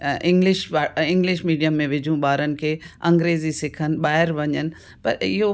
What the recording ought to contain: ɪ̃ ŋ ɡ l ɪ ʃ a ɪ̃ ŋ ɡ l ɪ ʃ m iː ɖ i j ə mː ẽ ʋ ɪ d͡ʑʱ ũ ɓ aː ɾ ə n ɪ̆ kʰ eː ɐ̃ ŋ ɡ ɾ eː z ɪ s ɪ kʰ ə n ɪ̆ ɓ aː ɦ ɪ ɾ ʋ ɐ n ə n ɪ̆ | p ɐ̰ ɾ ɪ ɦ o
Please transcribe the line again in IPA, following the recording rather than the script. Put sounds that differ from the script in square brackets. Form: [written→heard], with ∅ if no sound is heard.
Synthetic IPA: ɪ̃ ŋ ɡ l ɪ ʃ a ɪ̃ ŋ ɡ l ɪ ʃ m iː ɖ i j ə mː ẽ ʋ ɪ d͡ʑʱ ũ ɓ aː ɾ ə n ɪ̆ kʰ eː ɐ̃ ŋ ɡ ɾ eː z [ɪ→i] s ɪ kʰ ə n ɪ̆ ɓ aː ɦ ɪ ɾ ʋ ɐ [n→ɲ] ə n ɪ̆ | p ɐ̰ ɾ ɪ ɦ o